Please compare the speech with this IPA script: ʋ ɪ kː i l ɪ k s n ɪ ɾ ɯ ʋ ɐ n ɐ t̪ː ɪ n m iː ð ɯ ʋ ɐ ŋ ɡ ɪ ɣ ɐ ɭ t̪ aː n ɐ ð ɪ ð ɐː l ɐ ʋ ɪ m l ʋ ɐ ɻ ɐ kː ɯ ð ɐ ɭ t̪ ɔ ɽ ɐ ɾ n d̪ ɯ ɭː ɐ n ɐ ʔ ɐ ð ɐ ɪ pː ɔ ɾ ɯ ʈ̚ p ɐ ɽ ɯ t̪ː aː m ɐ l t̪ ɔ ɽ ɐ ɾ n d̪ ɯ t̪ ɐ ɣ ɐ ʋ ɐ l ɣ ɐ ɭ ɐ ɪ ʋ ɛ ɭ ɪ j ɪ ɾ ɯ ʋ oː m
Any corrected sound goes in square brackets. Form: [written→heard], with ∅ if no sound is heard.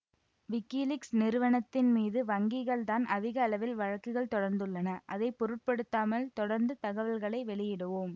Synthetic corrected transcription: ʋ ɪ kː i l ɪ k s n ɪ ɾ ɯ ʋ ɐ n ɐ t̪ː ɪ n m iː ð ɯ ʋ ɐ ŋ ɡ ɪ ɣ ɐ ɭ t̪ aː n ɐ ð ɪ [ð→ɣ] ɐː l ɐ ʋ ɪ [m→∅] l ʋ ɐ ɻ ɐ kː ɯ [ð→ɣ] ɐ ɭ t̪ ɔ ɽ ɐ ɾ n d̪ ɯ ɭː ɐ n ɐ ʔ ɐ ð ɐ ɪ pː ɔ ɾ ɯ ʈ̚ p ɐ ɽ ɯ t̪ː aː m ɐ l t̪ ɔ ɽ ɐ ɾ n d̪ ɯ t̪ ɐ ɣ ɐ ʋ ɐ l ɣ ɐ ɭ ɐ ɪ ʋ ɛ ɭ ɪ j ɪ [ɾ→ɽ] ɯ ʋ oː m

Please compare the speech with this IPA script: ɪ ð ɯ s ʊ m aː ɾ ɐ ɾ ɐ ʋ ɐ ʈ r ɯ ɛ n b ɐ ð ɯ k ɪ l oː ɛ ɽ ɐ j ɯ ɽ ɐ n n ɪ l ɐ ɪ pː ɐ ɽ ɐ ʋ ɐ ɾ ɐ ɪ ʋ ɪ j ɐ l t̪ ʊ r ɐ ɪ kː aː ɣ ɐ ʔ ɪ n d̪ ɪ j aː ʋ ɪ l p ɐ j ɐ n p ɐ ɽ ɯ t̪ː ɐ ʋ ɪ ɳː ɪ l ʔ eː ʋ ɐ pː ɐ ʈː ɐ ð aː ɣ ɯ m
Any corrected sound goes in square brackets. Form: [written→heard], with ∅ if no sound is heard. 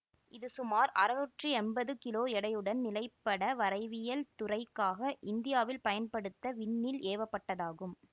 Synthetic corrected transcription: ɪ ð ɯ s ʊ m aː ɾ ɐ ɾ ɐ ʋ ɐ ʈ r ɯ ɛ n b ɐ ð ɯ k ɪ l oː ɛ ɽ ɐ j ɯ ɽ ɐ n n ɪ l ɐ ɪ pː ɐ ɽ ɐ ʋ ɐ ɾ ɐ ɪ ʋ ɪ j ɐ l t̪ ʊ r ɐ ɪ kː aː ɣ ɐ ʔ ɪ n d̪ ɪ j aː ʋ ɪ l p ɐ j ɐ n p ɐ ɽ ɯ t̪ː ɐ ʋ ɪ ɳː ɪ l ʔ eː ʋ ɐ pː ɐ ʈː ɐ ð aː ɣ ɯ m

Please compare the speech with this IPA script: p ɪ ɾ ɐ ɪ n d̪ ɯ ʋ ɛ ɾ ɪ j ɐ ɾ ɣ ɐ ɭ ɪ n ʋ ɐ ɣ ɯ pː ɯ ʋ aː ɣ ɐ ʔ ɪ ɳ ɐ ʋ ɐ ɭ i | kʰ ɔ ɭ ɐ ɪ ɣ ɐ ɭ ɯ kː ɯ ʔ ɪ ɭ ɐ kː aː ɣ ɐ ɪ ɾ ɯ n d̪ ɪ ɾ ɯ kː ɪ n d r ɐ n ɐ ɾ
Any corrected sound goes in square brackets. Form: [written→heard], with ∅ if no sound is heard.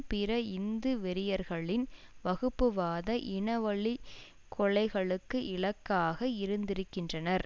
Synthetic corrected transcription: p ɪ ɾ ɐ ɪ n d̪ ɯ ʋ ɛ ɾ ɪ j ɐ ɾ ɣ ɐ ɭ ɪ n ʋ ɐ ɣ ɯ pː ɯ ʋ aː [ɣ→ð] ɐ ʔ ɪ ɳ ɐ ʋ ɐ ɭ i | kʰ ɔ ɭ ɐ ɪ ɣ ɐ ɭ ɯ kː ɯ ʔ ɪ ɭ ɐ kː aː ɣ ɐ ɪ ɾ ɯ n d̪ ɪ ɾ ɯ kː ɪ n d r ɐ n ɐ ɾ

